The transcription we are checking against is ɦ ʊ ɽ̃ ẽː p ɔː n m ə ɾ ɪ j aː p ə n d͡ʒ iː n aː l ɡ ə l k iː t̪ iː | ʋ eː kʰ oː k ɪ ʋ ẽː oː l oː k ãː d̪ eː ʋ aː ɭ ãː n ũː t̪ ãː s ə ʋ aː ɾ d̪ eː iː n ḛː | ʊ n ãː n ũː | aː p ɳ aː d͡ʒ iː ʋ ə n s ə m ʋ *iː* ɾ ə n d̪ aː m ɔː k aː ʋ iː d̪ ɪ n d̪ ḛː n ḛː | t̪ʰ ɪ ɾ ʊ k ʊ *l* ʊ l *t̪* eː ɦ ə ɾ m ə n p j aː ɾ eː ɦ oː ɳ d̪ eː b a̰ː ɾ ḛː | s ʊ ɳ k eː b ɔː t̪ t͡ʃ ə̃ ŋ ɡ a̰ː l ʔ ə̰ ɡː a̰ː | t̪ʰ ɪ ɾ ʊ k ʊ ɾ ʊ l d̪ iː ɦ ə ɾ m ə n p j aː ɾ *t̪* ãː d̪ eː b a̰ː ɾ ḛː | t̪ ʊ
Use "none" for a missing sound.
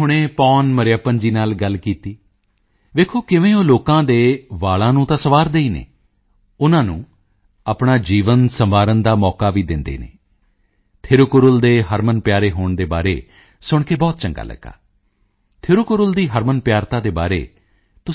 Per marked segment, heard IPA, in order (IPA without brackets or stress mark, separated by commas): aː, ɾ, d̪, t̪